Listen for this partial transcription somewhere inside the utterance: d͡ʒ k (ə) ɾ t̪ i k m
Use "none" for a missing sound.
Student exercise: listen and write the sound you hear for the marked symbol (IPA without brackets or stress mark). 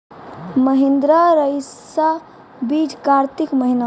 a